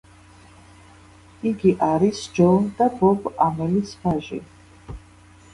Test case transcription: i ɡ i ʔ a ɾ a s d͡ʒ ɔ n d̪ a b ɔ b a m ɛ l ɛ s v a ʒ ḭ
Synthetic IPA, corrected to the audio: i ɡ i ʔ a ɾ i s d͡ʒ ɔ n d̪ a b ɔ b a m ɛ l i s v a ʒ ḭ